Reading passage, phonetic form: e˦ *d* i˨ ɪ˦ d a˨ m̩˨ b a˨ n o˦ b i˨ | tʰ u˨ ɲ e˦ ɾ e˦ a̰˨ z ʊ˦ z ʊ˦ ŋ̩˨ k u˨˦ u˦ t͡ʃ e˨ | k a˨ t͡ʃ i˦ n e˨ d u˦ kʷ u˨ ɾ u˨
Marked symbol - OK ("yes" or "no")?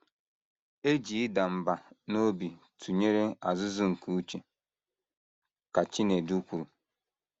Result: no